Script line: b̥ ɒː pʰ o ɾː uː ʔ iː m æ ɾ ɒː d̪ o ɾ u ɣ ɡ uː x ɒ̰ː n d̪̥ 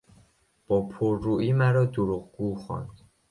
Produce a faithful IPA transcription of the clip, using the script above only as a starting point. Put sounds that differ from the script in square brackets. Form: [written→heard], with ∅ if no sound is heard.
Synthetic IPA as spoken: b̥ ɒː pʰ o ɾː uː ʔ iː m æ ɾ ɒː d̪ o ɾ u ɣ ɡ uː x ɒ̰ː n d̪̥